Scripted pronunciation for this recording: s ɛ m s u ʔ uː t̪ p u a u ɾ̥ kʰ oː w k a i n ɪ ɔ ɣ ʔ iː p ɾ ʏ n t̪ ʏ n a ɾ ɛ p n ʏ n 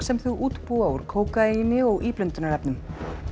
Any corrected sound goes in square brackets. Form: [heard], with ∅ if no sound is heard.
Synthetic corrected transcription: s ɛ m [θ] u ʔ uː t̪ p u a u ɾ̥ kʰ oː w k a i n ɪ ɔ ɣ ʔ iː p [l] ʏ n t̪ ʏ n a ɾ ɛ p n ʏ [m]

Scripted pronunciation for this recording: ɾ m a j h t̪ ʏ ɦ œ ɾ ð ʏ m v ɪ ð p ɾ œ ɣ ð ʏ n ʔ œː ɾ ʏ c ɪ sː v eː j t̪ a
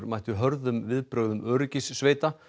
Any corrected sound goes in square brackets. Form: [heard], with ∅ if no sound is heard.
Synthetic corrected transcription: ɾ m a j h t̪ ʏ ɦ œ ɾ ð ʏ m v ɪ ð p ɾ œ ɣ ð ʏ [m] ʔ œː ɾ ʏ c ɪ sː v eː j t̪ a

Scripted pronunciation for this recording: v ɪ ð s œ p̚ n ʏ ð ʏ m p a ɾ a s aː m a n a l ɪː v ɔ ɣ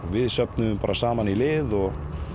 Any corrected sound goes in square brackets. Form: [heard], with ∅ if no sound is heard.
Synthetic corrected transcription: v ɪ ð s œ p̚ n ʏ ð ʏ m p a ɾ a s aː m a n [i] l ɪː [ð] ɔ ɣ

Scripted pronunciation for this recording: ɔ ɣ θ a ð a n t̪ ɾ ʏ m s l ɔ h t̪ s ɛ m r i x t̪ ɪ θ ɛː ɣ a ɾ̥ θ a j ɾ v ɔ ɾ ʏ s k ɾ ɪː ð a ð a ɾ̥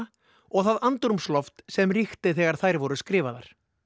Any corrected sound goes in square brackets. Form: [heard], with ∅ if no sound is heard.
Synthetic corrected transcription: ɔ ɣ θ a ð a n t̪ ɾ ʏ m s l ɔ [f] t̪ s ɛ m r i x t̪ ɪ θ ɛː ɣ a ɾ̥ θ a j ɾ v ɔ ɾ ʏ s k ɾ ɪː [v] a ð a ɾ̥

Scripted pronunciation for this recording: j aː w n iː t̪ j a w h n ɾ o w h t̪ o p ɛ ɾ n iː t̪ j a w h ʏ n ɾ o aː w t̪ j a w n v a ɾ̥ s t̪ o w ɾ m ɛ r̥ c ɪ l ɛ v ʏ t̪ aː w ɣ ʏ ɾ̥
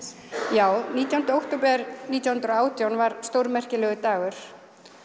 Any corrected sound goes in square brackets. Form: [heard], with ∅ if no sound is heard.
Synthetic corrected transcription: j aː w n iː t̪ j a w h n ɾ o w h t̪ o p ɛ ɾ n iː t̪ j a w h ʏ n ɾ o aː w t̪ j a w n v a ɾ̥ s t̪ o w ɾ m ɛ r̥ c ɪ l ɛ [ɣ] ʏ t̪ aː [∅] ɣ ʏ ɾ̥

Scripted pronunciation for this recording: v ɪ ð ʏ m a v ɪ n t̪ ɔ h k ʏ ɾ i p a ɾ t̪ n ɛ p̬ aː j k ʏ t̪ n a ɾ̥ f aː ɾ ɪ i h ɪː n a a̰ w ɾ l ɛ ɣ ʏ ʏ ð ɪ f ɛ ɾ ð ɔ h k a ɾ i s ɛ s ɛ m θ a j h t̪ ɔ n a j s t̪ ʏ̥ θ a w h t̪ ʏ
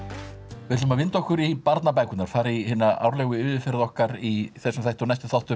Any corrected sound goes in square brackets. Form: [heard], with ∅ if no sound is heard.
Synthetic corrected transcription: v ɪ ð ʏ m a v ɪ n t̪ ɔ h k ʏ ɾ i p a ɾ t̪ n [a] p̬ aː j k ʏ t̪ n a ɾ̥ f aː ɾ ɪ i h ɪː n a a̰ w ɾ l ɛ ɣ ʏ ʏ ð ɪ f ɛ ɾ ð ɔ h k a ɾ i [θ] ɛ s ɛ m θ a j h t̪ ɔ n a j s t̪ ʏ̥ θ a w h t̪ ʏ

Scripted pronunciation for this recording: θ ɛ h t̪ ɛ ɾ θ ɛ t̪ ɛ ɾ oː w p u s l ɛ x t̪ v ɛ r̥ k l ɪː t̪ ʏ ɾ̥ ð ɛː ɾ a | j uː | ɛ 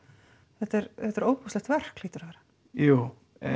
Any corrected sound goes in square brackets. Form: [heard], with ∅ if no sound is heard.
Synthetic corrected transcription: θ ɛ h t̪ ɛ ɾ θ ɛ t̪ ɛ ɾ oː w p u s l ɛ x t̪ v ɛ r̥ k l [iː] t̪ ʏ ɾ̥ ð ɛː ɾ a | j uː | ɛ

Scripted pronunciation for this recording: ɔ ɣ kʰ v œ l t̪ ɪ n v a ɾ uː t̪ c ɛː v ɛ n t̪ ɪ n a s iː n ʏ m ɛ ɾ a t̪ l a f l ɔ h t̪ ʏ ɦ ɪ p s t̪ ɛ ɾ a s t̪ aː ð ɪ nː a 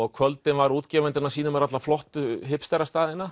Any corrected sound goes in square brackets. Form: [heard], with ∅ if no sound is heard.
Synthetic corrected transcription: ɔ ɣ kʰ v œ l t̪ ɪ n v a ɾ uː t̪ c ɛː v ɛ n t̪ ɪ n a s iː n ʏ m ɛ ɾ a t̪ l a f l ɔ h t̪ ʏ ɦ ɪ p s t̪ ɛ ɾ a s t̪ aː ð ɪ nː a

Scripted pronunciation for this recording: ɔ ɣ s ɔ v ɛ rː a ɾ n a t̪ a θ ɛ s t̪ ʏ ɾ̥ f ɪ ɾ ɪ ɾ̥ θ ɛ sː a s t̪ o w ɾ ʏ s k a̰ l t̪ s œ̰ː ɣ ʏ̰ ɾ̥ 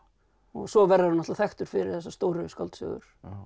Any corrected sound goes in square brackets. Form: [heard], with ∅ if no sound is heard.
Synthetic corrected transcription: ɔ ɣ s ɔ v ɛ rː a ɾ n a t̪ a θ ɛ [x] t̪ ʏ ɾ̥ f ɪ ɾ ɪ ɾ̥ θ ɛ sː a s t̪ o w ɾ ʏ s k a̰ l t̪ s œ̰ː ɣ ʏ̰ ɾ̥

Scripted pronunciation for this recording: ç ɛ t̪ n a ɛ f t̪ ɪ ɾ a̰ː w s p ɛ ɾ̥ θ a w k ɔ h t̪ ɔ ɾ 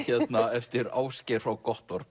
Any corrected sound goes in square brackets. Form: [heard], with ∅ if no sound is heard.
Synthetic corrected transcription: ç ɛ t̪ n a ɛ f t̪ ɪ ɾ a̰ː w s [c] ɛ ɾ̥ [f] a w k ɔ h t̪ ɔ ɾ

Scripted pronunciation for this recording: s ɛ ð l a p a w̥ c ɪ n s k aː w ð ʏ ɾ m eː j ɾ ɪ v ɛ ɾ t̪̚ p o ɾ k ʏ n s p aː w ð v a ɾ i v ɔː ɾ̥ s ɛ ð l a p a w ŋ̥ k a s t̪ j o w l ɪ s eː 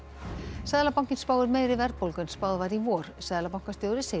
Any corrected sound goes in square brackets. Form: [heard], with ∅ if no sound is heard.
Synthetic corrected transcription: s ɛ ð l a p a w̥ c ɪ n s [p] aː w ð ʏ ɾ m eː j ɾ ɪ v ɛ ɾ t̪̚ p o [l] k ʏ n s p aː w ð v a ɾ i v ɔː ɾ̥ s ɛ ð l a p a w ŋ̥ k a s t̪ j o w [ɾ] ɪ s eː

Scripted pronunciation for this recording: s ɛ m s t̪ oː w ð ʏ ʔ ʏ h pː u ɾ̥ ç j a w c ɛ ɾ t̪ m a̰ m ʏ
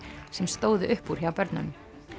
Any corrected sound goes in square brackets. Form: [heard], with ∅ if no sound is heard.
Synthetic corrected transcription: s ɛ m s t̪ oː w ð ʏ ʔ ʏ h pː u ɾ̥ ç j a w [p] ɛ ɾ t̪ [n] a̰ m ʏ

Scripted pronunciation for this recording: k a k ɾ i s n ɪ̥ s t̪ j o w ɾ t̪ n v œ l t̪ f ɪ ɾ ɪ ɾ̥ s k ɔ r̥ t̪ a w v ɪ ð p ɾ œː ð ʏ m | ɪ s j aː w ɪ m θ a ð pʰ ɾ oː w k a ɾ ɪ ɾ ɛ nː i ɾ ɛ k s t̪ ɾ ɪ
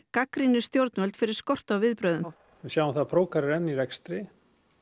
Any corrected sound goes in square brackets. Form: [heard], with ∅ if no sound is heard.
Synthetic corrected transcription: k a k ɾ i [∅] n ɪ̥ s t̪ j o w ɾ t̪ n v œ l t̪ f ɪ ɾ ɪ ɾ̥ s k ɔ r̥ t̪ a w v ɪ ð p ɾ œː ð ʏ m | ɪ s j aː w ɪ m θ a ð pʰ ɾ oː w k a ɾ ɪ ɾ ɛ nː i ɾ ɛ k s t̪ ɾ ɪ

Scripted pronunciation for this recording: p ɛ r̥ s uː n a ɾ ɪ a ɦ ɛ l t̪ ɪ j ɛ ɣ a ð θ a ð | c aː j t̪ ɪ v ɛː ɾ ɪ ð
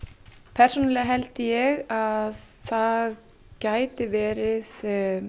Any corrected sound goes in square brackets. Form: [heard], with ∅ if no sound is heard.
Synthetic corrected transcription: [pʰ] ɛ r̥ s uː n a [l] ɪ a ɦ ɛ l t̪ ɪ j ɛ ɣ a ð θ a ð | c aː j t̪ ɪ v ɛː ɾ ɪ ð

